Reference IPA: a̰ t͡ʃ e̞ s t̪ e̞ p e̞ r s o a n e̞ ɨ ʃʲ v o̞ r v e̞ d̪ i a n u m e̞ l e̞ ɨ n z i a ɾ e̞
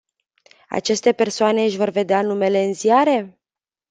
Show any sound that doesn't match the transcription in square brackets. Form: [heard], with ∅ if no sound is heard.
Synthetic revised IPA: a̰ t͡ʃ e̞ s t̪ e̞ p e̞ r s o a n e̞ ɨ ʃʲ v o̞ r v e̞ d̪ [e] a n u m e̞ l e̞ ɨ n z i a ɾ e̞